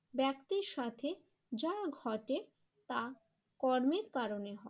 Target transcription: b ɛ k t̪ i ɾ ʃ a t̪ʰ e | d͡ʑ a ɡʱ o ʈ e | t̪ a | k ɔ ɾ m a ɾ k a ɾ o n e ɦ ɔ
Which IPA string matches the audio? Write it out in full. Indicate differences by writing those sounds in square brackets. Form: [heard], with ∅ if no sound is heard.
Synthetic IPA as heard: b ɛ k t̪ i ɾ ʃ a t̪ʰ e | d͡ʑ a ɡʱ [ɔ] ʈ e | t̪ a | k ɔ ɾ m [e] ɾ k a ɾ o n e ɦ ɔ